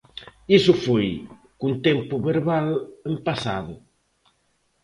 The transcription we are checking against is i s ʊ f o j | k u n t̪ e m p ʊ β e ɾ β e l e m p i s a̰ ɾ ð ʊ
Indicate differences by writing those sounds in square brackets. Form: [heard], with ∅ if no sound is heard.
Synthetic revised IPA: i s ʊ f o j | k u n t̪ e m p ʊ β e ɾ β [a] l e m p [a] s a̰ [∅] ð ʊ

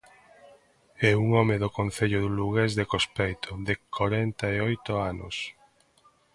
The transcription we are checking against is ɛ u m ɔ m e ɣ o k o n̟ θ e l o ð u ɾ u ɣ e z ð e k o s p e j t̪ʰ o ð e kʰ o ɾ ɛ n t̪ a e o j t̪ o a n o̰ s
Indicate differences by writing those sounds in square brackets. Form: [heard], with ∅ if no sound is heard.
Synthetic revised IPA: ɛ u [ŋ] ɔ m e [ð] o k o n̟ θ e [ʎ] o ð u [l] u ɣ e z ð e k o s p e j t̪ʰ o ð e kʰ o ɾ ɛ n t̪ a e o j t̪ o a n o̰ s

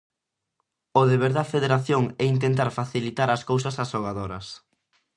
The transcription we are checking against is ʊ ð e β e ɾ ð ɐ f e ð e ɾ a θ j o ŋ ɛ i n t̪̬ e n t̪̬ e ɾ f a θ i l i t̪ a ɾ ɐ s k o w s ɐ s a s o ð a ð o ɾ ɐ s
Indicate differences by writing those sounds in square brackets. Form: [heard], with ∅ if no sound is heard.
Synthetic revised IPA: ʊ ð e β e ɾ ð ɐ f e ð e ɾ a θ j o ŋ ɛ i n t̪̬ e n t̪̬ [a] ɾ f a θ i l i t̪ a ɾ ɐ s k o w s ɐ s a s o [ɣ] a ð o ɾ ɐ s

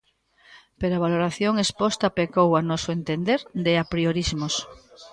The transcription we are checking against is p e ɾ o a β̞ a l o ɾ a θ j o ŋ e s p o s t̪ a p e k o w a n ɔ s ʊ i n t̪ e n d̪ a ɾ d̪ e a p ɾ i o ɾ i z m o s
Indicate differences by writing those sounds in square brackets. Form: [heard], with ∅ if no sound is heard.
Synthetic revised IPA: p e ɾ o a β̞ a l o ɾ a θ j o ŋ e s p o s t̪ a p e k o w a n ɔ s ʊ [e] n t̪ e n d̪ [e] ɾ d̪ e a p ɾ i o ɾ i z m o s

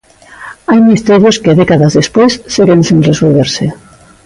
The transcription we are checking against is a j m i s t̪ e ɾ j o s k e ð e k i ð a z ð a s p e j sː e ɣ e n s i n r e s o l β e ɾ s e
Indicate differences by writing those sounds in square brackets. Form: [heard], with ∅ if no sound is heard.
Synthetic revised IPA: a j m i s t̪ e ɾ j o s k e ð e k [a] ð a z ð [e] s p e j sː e ɣ e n s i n r e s o l β e ɾ s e

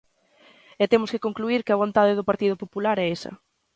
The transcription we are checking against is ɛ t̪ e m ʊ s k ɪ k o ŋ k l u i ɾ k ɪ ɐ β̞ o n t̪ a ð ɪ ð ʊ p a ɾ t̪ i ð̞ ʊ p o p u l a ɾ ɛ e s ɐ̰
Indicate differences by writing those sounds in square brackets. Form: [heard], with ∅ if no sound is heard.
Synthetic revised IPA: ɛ t̪ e m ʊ s k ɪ k o ŋ k l u i ɾ k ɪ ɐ β̞ o n t̪ a ð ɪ ð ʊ p a ɾ t̪ i ð̞ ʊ p o p u l a ɾ ɛ e s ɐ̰

